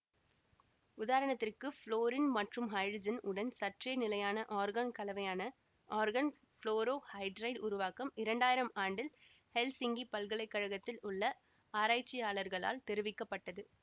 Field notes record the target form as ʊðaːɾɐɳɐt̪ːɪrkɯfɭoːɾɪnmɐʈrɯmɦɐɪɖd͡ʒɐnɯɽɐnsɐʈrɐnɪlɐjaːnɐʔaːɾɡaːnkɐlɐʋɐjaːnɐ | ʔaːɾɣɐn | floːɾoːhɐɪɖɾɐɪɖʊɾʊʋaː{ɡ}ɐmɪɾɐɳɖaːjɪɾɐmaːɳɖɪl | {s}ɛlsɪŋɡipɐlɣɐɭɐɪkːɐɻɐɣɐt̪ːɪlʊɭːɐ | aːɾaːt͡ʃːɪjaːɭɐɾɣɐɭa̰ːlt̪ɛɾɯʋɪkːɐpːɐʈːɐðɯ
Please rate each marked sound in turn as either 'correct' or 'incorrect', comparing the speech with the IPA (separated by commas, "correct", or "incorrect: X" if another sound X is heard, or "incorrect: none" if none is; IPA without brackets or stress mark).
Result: incorrect: k, incorrect: h